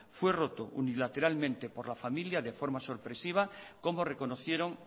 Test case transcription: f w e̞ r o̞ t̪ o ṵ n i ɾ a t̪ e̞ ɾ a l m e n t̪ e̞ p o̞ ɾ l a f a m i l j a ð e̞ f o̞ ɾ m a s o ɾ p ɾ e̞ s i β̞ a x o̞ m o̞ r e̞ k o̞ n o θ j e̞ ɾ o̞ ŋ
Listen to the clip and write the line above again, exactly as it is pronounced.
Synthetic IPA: f w e̞ r o̞ t̪ o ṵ n i l a t̪ e̞ ɾ a l m ẽ n t̪ e̞ p o̞ ɾ l a f a m i l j a ð e̞ f o̞ ɾ m a s o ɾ p ɾ e̞ s i β̞ a k o̞ m o̞ r e̞ k o̞ n o θ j e̞ ɾ o̞ ŋ